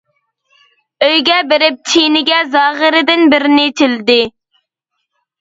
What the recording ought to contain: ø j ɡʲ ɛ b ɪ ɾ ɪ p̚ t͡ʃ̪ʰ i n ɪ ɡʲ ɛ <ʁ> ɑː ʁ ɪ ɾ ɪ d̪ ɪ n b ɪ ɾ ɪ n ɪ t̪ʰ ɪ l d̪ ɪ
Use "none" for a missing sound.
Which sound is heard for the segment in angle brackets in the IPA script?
z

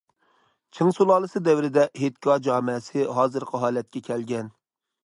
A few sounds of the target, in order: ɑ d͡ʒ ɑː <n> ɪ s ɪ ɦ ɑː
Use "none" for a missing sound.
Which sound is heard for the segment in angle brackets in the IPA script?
m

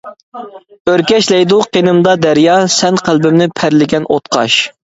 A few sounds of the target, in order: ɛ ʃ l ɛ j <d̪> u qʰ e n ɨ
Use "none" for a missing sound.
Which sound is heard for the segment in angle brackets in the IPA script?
d̪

